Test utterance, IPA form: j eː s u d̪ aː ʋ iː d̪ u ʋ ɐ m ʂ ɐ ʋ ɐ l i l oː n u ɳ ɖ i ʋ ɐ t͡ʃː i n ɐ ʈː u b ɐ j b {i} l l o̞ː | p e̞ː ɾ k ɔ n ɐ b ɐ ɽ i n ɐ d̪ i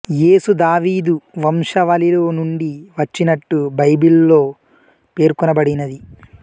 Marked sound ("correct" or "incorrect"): correct